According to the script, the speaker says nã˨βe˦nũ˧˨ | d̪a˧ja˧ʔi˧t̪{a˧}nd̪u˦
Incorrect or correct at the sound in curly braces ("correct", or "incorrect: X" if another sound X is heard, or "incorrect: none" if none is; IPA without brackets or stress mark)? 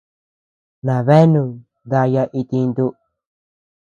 incorrect: i˧